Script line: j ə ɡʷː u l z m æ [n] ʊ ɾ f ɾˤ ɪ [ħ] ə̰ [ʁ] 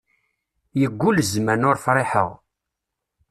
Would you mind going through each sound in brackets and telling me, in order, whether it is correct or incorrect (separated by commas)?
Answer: correct, correct, correct